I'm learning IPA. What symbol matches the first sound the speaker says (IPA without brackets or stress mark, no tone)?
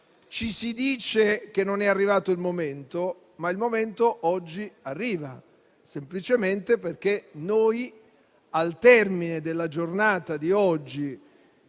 t͡ʃ